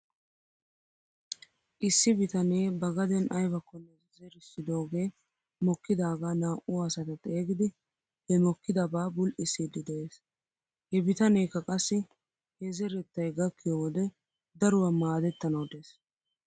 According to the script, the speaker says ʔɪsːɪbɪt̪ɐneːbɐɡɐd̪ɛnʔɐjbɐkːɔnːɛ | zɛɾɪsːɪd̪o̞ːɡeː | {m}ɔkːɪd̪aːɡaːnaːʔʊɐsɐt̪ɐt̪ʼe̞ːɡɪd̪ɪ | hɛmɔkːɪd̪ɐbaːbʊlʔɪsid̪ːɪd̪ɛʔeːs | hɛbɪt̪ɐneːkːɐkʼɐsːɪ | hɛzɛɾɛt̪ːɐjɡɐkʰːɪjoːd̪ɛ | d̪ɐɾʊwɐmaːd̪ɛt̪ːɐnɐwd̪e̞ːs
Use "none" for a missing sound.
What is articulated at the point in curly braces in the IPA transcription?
m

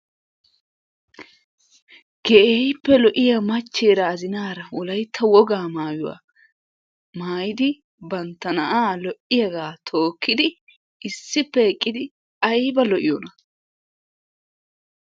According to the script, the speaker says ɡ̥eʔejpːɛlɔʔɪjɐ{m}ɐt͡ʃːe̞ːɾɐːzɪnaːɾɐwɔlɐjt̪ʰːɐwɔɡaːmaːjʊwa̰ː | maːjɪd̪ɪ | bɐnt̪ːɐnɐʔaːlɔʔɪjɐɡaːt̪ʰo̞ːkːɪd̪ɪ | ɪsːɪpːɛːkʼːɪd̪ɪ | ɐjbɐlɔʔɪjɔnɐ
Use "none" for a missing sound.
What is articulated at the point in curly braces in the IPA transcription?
m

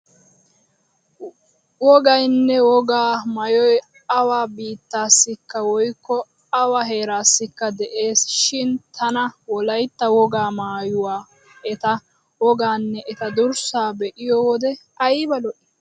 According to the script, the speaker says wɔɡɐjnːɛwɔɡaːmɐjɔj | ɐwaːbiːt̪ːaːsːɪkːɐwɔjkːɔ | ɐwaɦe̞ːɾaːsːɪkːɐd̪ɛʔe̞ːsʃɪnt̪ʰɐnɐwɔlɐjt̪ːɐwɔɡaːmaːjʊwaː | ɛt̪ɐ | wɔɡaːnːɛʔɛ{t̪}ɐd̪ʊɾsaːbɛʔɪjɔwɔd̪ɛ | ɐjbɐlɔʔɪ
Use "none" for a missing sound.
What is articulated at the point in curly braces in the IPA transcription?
t̪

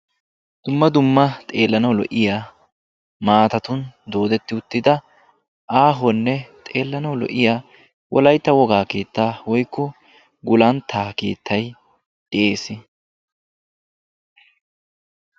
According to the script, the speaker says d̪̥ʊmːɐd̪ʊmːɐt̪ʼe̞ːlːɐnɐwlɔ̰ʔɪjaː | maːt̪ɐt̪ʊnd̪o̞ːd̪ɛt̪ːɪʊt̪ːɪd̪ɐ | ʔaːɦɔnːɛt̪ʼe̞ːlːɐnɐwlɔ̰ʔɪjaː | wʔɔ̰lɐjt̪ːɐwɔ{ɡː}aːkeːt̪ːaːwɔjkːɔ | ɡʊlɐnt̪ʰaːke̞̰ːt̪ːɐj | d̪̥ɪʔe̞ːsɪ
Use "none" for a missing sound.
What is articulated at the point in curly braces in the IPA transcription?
ɡ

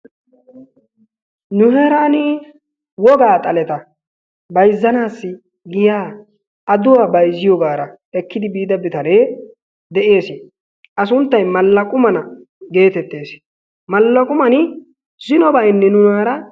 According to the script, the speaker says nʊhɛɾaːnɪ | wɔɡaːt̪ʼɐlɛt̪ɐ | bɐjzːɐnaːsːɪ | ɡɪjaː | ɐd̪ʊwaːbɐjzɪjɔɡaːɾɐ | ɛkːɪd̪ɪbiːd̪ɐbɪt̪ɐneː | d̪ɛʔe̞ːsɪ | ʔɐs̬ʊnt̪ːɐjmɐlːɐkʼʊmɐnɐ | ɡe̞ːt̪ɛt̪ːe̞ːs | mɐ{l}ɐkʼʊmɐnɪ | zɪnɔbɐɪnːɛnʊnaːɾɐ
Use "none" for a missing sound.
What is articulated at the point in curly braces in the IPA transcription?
lː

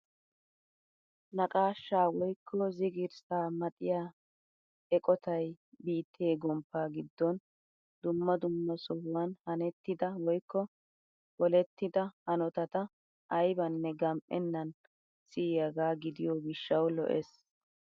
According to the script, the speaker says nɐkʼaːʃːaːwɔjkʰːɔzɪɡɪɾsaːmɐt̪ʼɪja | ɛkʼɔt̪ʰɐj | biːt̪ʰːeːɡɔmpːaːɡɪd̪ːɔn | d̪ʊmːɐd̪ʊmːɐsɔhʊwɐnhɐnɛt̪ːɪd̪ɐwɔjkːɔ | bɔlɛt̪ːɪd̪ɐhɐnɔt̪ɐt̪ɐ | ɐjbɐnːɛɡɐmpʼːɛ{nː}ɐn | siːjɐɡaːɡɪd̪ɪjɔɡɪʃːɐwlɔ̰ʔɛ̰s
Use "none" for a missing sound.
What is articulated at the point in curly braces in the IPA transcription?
nː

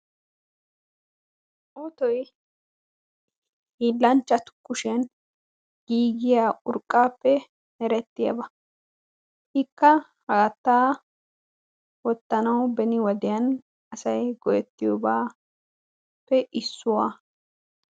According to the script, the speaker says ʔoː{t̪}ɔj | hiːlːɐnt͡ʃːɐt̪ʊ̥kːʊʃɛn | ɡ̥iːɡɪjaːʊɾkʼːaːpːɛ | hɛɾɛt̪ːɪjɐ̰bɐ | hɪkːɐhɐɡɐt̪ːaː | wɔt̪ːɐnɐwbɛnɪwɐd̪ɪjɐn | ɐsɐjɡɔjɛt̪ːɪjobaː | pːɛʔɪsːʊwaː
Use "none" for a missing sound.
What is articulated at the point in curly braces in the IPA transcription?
t̪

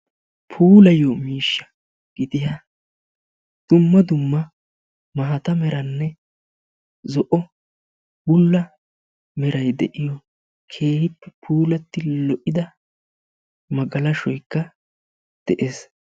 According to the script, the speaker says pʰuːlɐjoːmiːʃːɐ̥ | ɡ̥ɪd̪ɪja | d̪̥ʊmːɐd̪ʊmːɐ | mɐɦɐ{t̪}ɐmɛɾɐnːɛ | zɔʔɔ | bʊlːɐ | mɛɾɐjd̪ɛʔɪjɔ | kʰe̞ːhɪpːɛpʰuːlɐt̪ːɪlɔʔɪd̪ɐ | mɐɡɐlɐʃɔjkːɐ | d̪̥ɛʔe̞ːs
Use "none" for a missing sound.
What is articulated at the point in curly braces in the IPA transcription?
t̪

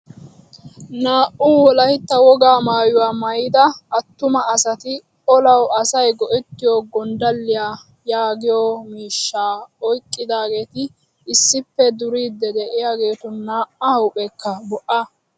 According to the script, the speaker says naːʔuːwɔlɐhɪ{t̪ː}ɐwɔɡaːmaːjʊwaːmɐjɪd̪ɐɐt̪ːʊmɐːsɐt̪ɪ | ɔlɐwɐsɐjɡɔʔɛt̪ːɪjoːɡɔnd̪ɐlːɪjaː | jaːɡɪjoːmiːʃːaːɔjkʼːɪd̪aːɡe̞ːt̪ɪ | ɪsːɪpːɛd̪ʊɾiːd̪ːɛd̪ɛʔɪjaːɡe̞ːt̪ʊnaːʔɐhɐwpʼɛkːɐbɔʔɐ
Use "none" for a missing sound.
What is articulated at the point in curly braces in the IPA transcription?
t̪ː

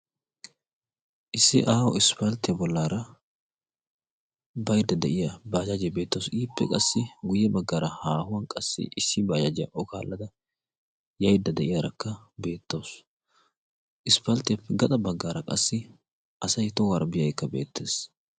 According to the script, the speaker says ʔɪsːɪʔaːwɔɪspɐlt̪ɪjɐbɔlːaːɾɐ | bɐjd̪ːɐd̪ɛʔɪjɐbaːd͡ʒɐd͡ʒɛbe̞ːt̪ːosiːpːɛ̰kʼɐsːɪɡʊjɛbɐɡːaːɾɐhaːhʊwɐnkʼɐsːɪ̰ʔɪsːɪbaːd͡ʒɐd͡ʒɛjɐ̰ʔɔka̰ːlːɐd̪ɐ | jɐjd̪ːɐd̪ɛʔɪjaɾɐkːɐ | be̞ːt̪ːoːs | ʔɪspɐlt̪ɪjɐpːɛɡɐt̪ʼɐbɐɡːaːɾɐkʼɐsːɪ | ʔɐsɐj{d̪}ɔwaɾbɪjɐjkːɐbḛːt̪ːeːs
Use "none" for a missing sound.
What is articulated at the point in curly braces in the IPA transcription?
t̪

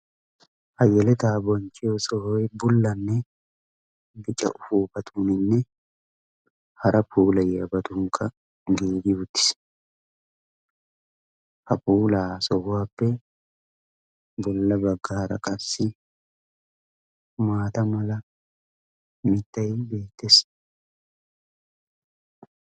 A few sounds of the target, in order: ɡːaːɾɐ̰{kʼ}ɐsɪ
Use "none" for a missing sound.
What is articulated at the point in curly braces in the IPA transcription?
kʼ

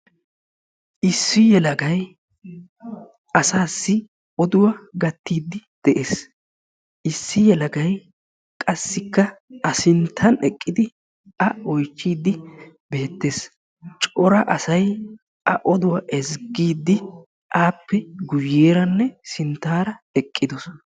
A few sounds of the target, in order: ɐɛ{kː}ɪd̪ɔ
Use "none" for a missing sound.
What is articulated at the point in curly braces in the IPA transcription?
kʼː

